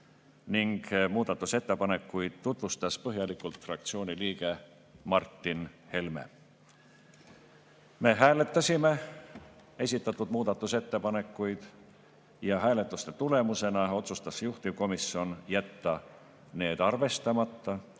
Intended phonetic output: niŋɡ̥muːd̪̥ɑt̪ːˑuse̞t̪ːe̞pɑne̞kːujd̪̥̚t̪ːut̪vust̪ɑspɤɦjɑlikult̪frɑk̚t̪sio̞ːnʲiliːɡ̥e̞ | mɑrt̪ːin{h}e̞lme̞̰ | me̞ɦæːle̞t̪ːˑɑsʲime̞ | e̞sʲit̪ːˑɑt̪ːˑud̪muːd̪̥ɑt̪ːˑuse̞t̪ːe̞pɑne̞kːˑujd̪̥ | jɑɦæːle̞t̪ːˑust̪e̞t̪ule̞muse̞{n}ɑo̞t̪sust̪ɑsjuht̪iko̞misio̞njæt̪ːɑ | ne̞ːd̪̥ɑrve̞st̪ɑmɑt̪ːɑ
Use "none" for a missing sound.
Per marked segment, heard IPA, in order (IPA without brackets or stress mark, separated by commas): h, n